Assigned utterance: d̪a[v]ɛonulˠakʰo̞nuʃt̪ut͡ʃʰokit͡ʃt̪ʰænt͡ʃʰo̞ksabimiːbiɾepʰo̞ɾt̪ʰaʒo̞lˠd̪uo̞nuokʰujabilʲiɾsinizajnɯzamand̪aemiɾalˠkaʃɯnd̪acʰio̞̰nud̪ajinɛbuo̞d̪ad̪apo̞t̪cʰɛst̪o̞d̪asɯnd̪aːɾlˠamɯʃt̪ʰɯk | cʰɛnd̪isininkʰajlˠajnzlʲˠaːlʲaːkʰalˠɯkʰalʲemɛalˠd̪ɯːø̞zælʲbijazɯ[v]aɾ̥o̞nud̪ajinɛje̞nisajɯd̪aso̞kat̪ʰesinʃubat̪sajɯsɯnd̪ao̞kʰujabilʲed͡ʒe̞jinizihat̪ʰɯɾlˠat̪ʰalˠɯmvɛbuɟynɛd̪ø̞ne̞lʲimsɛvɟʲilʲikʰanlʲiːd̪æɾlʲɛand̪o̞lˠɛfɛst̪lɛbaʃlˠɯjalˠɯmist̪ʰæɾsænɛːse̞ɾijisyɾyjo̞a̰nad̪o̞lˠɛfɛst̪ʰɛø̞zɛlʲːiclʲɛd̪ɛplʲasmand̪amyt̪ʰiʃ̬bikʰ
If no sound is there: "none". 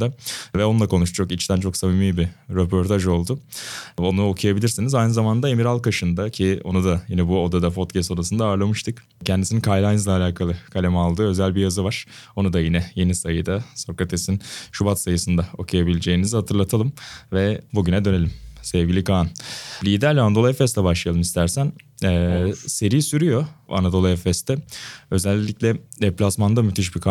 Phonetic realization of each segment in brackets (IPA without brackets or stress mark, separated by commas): v, v